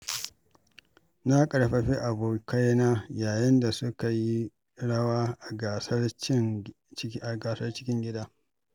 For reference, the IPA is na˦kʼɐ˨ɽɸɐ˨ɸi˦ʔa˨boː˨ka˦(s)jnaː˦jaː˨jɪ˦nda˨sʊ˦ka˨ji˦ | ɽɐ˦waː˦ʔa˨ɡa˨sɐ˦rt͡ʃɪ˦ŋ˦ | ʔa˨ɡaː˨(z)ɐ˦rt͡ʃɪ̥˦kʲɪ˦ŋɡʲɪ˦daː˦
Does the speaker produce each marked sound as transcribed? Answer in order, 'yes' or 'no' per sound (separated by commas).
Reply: no, no